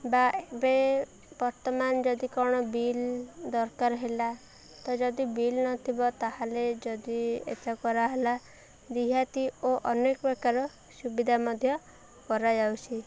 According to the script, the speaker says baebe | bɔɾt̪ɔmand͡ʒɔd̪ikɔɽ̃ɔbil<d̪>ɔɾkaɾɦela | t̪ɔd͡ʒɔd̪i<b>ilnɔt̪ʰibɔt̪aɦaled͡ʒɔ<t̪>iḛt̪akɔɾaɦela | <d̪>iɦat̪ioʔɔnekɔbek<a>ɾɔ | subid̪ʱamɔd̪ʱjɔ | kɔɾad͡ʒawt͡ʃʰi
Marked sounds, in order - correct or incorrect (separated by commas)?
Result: correct, correct, incorrect, correct, correct